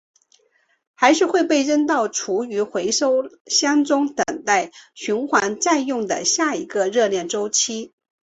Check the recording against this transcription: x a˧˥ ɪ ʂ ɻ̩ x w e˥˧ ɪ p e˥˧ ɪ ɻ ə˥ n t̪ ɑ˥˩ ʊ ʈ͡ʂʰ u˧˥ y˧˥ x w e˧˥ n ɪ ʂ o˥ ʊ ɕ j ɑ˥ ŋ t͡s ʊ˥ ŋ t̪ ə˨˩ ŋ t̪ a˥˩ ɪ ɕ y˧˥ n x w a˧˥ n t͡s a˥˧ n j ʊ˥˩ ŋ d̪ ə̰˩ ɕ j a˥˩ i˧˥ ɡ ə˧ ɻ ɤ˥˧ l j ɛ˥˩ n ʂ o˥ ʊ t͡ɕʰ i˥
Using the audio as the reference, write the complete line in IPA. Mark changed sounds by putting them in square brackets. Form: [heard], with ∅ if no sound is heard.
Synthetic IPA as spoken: x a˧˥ ɪ ʂ ɻ̩ x w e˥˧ ɪ p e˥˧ ɪ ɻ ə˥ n t̪ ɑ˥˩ ʊ ʈ͡ʂʰ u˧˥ y˧˥ x w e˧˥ [∅] ɪ ʂ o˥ ʊ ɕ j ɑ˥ ŋ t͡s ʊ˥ ŋ t̪ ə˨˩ ŋ t̪ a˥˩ ɪ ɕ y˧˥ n x w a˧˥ n t͡s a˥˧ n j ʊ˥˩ ŋ d̪ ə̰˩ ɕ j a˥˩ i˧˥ ɡ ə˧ ɻ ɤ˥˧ l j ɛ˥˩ n [ʈ͡ʂ] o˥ ʊ t͡ɕʰ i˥